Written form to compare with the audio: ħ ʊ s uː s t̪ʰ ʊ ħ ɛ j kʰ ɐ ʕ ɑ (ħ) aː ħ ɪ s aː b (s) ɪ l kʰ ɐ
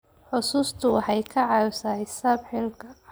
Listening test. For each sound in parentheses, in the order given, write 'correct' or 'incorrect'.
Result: incorrect, incorrect

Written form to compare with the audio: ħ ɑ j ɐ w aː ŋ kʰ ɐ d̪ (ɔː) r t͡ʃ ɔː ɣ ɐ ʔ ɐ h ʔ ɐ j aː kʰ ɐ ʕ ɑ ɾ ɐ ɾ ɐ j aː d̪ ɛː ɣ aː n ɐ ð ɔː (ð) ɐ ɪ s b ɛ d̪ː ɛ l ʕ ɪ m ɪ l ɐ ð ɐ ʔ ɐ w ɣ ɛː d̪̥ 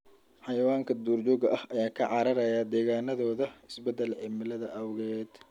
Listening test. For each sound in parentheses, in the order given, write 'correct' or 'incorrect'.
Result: incorrect, correct

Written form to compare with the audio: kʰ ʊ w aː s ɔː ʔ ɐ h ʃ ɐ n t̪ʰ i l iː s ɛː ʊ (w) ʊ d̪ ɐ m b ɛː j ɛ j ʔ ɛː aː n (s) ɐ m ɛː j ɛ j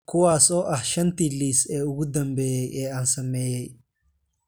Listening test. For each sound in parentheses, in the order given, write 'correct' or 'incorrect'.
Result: incorrect, correct

